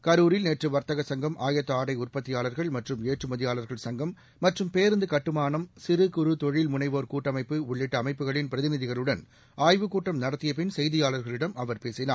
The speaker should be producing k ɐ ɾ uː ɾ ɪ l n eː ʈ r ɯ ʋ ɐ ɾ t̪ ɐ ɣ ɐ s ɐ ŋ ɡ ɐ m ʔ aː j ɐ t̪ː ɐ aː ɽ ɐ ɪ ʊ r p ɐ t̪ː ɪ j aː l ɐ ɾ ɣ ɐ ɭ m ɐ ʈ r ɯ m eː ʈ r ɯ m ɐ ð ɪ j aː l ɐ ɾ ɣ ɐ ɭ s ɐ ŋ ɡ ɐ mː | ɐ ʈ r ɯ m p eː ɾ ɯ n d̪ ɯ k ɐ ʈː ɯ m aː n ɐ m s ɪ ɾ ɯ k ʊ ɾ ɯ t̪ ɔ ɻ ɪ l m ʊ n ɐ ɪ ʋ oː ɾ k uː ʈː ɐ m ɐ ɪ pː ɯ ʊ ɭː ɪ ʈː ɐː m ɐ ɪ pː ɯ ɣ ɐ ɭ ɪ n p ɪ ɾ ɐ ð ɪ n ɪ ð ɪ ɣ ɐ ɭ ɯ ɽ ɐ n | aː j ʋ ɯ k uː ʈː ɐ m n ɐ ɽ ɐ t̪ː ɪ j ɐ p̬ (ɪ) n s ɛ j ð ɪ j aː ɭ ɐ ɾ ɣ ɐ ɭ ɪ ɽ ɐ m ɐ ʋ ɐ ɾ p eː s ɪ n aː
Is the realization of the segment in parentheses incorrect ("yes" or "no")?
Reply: no